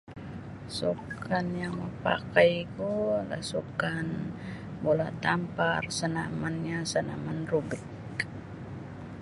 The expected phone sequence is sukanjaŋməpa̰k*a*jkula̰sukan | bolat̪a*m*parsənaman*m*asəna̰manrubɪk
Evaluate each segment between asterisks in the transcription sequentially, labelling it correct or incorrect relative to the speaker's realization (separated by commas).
correct, correct, incorrect